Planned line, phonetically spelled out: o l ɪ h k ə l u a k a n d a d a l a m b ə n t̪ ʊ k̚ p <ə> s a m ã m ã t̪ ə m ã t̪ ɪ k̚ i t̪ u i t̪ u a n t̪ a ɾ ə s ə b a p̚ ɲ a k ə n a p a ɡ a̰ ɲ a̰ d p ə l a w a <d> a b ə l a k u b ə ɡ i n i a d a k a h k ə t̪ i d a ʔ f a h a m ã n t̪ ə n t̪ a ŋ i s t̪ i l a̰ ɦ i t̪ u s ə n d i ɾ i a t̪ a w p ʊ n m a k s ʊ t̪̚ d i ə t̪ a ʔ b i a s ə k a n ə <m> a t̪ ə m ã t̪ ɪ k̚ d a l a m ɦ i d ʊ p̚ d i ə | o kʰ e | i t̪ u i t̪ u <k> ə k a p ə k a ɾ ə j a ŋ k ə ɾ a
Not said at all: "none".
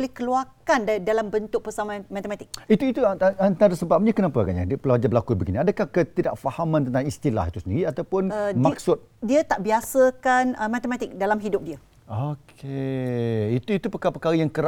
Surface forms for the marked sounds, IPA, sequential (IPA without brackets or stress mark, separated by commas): ə, d͡ʒ, m, p